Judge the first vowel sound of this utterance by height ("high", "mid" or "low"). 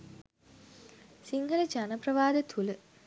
high